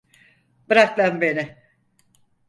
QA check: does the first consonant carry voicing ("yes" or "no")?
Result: yes